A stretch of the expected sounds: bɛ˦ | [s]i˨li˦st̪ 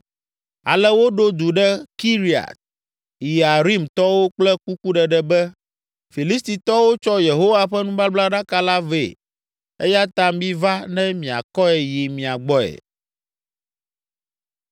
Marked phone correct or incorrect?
incorrect